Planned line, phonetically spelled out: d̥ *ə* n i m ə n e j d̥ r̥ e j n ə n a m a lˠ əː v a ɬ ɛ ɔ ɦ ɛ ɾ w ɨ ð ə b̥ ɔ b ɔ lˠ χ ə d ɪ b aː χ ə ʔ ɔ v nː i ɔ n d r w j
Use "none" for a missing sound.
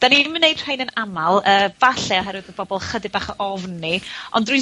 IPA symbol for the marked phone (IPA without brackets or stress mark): a